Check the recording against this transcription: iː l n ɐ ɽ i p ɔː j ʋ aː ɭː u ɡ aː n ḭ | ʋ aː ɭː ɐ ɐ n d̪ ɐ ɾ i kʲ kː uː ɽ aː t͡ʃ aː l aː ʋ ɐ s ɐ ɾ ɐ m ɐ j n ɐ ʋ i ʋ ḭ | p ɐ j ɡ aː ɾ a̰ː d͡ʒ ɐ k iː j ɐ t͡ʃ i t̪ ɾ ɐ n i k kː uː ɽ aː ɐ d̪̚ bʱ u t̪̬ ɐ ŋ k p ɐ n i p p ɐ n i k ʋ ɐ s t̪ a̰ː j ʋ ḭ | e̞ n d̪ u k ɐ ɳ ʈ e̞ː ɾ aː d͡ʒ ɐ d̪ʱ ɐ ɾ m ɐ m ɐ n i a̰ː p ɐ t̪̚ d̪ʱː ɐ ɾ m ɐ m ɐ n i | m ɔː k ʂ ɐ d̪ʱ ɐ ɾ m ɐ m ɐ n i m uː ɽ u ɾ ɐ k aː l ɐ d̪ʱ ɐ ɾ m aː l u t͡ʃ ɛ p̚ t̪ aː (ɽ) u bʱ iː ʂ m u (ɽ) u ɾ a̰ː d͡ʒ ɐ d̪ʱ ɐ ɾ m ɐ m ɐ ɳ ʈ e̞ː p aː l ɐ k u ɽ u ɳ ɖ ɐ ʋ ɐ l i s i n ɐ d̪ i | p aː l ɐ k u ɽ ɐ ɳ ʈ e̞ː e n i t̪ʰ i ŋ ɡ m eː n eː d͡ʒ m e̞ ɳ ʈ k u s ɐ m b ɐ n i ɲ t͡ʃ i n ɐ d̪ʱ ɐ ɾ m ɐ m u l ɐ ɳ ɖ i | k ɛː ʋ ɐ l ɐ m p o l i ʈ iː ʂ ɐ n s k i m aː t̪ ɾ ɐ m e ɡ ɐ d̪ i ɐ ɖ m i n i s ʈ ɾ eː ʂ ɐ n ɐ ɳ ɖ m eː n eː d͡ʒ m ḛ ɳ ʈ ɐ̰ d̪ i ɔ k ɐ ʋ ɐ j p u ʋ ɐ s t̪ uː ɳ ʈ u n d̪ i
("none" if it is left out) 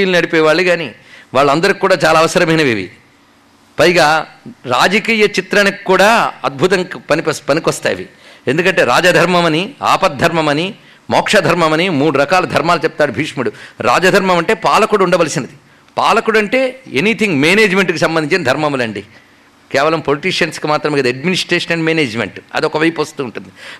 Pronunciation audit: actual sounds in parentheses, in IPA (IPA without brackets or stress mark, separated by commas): ɽ, ɽ